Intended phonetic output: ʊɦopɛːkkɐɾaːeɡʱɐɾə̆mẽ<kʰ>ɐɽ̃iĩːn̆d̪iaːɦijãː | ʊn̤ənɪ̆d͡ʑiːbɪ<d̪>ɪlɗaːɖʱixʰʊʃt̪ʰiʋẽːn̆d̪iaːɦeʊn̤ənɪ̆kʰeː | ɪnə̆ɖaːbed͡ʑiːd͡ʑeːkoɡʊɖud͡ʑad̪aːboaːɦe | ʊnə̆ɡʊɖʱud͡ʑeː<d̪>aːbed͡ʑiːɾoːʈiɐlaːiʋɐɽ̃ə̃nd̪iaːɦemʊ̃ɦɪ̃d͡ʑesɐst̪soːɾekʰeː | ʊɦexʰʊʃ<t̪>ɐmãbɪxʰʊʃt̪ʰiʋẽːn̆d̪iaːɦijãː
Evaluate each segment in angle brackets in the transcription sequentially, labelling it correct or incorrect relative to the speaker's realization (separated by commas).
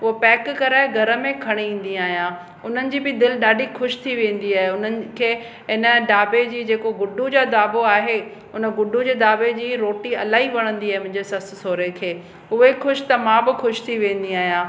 correct, correct, correct, correct